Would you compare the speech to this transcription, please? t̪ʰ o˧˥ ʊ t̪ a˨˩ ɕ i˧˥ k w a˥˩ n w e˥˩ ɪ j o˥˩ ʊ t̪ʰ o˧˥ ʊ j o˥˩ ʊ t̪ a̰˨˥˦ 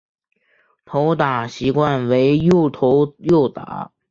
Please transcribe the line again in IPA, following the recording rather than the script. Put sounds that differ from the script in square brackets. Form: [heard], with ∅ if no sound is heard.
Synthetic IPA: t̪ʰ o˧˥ ʊ t̪ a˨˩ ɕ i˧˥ k w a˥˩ n w [e˧˥] ɪ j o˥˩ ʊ t̪ʰ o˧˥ ʊ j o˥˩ ʊ t̪ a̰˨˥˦